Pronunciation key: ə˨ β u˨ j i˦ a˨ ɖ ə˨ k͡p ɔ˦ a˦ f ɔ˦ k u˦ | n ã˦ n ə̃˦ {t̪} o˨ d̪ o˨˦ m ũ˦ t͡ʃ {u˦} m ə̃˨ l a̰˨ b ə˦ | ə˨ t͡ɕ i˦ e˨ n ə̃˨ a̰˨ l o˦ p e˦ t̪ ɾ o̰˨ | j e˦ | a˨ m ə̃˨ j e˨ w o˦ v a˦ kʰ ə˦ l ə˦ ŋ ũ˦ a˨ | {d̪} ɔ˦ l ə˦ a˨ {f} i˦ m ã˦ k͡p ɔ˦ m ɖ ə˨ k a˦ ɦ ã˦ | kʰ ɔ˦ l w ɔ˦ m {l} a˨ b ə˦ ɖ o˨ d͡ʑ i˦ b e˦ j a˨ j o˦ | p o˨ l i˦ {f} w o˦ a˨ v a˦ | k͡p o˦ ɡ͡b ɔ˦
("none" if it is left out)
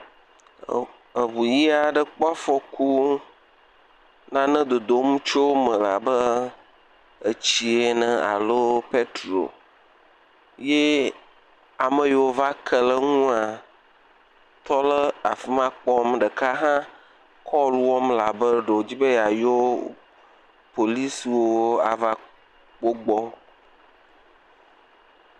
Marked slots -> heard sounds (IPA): d̪, o˦, t̪, f, l, s

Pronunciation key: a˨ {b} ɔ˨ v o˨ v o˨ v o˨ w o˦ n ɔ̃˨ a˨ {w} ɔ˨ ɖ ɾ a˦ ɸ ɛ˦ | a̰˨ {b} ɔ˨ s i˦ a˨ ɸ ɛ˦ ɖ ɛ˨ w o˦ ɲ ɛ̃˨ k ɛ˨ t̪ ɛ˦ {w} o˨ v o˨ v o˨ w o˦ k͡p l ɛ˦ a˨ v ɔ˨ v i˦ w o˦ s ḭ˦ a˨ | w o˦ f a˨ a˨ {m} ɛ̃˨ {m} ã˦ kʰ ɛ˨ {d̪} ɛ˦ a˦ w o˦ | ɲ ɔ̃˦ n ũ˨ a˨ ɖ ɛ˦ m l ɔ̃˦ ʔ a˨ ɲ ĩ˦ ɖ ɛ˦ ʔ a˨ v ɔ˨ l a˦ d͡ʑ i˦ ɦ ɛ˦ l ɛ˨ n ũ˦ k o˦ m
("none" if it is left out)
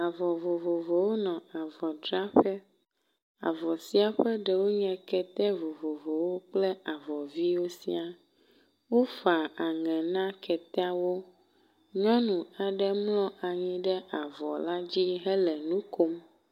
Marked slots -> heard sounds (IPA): v, v, v, v, ŋ, n, t̪

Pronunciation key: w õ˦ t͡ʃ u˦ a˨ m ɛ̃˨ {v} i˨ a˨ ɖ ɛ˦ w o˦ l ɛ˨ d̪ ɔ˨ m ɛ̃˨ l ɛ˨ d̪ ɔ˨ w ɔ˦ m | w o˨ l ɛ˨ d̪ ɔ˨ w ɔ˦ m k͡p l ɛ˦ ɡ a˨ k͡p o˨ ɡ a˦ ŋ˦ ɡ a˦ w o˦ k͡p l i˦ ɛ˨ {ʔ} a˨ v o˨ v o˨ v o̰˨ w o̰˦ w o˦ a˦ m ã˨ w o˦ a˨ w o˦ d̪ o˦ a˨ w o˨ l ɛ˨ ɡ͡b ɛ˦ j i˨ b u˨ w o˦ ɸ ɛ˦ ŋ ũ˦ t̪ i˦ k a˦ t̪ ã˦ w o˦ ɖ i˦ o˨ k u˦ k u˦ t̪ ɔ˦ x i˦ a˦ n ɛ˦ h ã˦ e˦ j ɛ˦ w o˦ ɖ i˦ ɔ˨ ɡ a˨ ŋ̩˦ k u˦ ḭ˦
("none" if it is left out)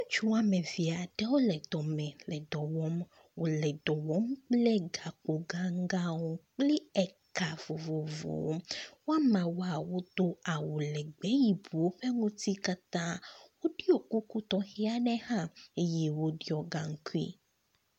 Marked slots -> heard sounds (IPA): v, k

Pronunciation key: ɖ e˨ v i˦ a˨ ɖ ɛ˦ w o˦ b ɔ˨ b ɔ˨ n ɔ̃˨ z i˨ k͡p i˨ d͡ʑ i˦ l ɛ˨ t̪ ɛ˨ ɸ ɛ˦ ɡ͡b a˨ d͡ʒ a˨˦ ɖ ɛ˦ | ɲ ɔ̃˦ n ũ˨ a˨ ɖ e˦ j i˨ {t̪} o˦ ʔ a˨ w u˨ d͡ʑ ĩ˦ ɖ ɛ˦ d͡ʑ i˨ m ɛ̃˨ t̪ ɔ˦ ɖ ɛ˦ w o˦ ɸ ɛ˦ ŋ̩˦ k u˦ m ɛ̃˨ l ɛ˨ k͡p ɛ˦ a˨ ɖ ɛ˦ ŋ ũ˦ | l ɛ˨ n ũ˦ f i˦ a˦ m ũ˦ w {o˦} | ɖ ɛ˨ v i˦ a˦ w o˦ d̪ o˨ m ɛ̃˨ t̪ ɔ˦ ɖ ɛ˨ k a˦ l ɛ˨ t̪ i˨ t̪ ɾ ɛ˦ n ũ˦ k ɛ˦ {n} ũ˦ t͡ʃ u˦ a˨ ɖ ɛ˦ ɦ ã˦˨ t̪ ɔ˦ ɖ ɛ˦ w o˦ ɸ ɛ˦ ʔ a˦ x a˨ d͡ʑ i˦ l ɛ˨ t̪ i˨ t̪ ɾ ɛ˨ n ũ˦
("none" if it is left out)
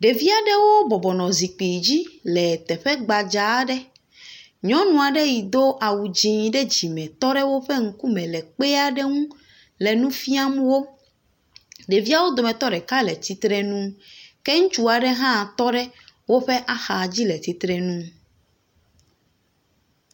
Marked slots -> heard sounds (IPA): d̪, o˦, ŋ

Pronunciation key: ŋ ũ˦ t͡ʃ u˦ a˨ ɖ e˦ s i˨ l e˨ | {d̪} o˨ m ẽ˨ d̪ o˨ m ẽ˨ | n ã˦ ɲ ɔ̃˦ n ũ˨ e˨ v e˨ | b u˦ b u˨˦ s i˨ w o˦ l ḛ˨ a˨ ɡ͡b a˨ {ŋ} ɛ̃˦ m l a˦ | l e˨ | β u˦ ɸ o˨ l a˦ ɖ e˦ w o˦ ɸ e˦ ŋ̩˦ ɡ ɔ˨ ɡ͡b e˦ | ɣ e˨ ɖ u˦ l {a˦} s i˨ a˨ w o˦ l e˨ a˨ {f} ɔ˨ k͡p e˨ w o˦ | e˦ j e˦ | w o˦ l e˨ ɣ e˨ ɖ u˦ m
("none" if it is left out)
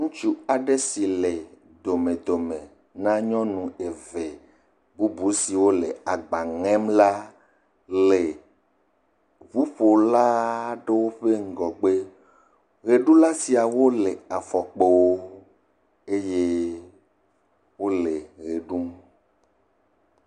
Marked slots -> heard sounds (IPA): d̪, ŋ, a˦, f

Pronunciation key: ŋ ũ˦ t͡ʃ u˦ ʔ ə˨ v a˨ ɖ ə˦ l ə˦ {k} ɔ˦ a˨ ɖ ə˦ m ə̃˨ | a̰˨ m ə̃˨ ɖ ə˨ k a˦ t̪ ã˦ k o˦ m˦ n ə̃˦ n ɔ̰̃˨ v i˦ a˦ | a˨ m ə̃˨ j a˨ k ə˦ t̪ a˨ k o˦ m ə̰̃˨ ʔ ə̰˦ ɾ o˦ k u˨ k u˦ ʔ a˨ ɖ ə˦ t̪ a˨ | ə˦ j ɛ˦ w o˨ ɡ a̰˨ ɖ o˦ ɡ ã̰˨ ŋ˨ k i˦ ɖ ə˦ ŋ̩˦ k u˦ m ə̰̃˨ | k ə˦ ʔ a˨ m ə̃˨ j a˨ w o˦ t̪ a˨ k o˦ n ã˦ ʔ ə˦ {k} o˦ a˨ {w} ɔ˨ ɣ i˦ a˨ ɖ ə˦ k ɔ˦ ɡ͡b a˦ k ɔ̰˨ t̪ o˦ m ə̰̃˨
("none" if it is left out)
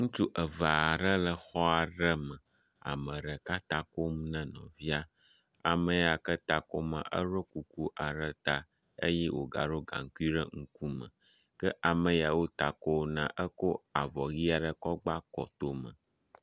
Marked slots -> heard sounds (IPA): x, k, v

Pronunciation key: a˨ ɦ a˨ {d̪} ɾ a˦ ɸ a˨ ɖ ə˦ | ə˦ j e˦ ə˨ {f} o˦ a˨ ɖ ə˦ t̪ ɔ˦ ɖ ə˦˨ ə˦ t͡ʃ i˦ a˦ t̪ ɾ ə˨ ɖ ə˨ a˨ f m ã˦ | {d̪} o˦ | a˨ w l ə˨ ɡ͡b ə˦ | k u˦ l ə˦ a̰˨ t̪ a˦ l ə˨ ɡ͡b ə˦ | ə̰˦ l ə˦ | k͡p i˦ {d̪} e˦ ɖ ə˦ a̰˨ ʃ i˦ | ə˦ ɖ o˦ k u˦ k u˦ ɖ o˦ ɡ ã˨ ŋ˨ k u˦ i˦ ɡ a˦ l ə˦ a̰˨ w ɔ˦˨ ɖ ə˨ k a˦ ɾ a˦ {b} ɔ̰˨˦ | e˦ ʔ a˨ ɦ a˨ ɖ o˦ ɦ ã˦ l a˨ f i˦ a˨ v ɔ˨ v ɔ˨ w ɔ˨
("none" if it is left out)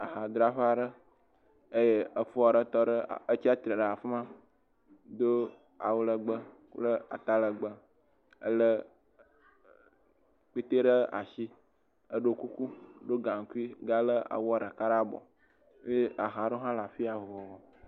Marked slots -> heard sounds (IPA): d̪, f, d̪, t̪, b

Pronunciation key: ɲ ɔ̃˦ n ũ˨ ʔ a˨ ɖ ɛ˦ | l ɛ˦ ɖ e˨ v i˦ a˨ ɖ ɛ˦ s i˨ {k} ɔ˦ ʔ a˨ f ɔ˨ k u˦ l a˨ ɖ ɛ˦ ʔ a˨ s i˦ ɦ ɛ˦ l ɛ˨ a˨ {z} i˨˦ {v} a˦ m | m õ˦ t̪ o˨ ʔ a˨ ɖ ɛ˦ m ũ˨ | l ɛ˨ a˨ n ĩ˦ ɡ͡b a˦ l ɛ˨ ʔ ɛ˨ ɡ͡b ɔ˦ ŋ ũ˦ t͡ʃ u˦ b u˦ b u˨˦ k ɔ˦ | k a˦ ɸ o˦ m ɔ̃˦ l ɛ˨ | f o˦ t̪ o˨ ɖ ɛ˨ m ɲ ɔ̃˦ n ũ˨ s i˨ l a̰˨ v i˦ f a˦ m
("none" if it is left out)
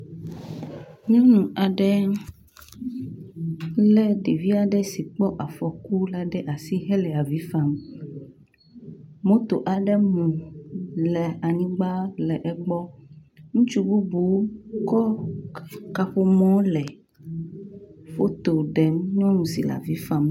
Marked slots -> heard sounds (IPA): k͡p, v, f

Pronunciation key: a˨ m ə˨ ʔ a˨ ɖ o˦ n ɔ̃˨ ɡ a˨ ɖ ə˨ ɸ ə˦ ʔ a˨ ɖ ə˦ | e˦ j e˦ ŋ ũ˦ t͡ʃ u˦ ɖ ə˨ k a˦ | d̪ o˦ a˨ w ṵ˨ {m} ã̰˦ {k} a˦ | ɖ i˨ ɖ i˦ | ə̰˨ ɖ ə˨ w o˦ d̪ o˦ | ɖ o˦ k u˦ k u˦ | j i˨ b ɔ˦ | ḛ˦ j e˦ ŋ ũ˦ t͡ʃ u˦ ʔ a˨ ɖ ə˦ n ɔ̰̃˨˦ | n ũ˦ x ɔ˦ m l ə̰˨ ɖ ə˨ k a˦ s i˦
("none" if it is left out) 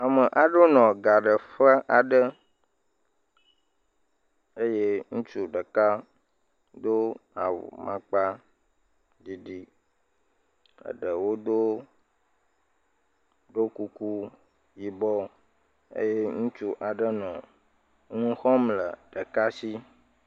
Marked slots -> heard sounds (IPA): m, k͡p

